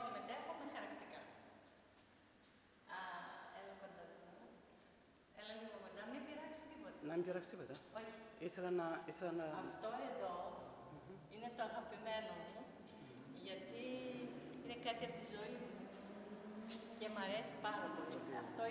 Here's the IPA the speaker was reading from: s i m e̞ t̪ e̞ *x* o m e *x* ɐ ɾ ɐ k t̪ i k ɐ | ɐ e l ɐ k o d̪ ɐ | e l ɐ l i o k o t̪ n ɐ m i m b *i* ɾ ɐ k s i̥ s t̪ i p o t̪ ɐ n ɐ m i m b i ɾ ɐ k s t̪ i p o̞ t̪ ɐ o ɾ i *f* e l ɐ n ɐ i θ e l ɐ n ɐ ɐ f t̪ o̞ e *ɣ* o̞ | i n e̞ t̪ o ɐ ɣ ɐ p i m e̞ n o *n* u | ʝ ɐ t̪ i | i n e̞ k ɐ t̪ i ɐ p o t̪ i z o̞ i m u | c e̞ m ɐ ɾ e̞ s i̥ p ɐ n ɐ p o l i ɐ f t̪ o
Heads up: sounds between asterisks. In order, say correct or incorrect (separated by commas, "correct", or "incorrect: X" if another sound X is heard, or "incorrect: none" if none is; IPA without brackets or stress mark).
correct, correct, correct, incorrect: θ, incorrect: ð, incorrect: m